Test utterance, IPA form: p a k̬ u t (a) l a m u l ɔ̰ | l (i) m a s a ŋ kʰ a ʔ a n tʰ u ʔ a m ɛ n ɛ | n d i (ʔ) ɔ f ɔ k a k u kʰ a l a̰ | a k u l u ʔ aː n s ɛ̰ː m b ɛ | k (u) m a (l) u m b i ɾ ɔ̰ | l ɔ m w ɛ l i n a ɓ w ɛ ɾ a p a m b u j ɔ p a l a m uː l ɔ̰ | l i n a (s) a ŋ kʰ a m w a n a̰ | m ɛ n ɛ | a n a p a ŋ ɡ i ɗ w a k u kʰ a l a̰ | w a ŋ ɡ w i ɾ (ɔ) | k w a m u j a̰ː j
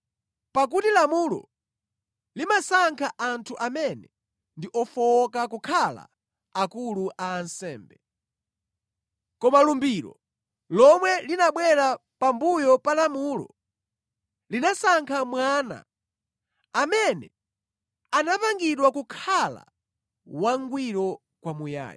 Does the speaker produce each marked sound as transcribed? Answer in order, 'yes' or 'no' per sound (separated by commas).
no, yes, yes, no, yes, yes, yes